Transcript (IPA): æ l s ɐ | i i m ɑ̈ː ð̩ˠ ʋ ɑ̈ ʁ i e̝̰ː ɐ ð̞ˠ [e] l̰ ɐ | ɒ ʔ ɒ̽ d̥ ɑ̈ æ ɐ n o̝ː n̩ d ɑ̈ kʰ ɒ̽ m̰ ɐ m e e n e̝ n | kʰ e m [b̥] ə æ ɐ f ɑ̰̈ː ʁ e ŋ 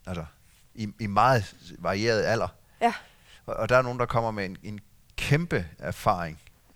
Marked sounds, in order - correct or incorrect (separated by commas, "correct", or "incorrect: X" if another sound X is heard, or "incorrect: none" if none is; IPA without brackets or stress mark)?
incorrect: æ, correct